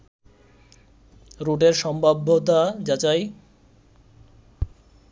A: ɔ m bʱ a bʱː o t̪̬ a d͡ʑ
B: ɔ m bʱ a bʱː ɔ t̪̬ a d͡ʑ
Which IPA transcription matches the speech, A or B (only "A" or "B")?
A